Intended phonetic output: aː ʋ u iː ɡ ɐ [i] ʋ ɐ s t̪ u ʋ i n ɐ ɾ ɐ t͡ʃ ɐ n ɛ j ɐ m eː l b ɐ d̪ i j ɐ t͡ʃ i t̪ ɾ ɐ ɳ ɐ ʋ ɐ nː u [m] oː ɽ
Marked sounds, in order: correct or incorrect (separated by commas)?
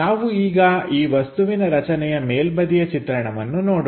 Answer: incorrect, incorrect